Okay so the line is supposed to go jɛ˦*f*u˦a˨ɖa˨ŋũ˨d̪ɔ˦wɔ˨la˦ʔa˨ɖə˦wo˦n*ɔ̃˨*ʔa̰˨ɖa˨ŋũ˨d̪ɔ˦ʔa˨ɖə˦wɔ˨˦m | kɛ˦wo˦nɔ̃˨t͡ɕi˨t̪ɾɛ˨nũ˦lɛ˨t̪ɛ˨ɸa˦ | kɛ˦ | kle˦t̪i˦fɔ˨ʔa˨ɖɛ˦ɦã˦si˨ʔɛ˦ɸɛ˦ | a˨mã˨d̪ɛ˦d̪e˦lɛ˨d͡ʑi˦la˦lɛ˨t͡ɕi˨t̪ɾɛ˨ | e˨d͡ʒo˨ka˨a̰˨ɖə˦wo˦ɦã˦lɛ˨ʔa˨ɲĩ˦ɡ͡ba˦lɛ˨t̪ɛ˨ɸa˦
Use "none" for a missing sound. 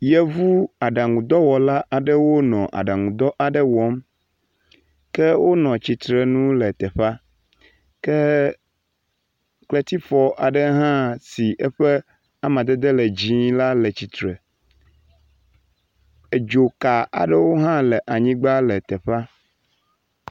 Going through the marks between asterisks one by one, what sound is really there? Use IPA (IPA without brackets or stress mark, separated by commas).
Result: v, ɔ̃˨